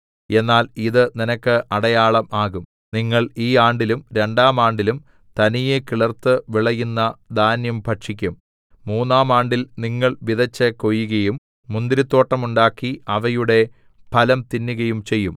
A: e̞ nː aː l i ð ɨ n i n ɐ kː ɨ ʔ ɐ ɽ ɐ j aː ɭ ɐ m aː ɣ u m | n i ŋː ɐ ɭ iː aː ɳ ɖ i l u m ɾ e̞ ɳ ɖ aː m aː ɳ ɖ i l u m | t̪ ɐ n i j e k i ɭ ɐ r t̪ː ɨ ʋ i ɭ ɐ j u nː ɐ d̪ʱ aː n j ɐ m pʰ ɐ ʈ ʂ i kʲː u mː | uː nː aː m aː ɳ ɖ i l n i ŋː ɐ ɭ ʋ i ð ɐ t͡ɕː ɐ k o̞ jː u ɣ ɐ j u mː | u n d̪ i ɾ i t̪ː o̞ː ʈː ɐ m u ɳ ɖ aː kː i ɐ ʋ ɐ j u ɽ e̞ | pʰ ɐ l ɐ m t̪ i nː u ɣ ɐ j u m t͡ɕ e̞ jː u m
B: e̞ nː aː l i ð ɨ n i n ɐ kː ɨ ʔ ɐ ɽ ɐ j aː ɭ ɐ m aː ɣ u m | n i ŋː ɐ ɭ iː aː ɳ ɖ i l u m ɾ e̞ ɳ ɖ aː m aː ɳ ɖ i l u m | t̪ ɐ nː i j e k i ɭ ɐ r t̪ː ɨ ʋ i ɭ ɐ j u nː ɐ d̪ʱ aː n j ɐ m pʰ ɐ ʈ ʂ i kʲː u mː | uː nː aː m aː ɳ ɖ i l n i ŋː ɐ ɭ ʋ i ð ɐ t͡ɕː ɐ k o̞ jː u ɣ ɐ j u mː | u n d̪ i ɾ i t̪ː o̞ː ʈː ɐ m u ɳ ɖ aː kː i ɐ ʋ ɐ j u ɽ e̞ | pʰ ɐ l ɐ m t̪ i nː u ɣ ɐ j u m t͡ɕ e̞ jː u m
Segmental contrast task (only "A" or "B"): A